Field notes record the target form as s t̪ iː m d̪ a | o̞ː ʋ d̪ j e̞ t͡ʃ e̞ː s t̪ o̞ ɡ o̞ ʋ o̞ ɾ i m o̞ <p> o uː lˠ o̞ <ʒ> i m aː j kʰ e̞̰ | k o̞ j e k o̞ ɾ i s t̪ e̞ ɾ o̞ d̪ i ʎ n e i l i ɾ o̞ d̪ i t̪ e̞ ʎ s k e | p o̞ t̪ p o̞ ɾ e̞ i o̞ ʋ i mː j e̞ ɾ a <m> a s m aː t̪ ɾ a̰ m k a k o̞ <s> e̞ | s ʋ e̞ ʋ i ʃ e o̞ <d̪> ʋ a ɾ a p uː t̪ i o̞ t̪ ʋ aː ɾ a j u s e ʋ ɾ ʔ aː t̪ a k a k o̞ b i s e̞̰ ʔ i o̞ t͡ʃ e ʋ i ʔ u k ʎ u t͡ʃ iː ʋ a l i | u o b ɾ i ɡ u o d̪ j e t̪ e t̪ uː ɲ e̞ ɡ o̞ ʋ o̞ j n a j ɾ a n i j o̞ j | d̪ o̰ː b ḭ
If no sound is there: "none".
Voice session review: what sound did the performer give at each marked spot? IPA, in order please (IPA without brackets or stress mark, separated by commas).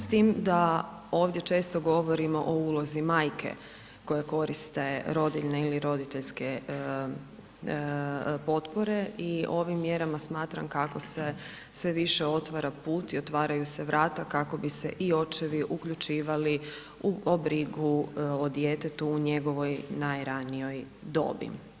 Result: ʔ, z, m, s, t̪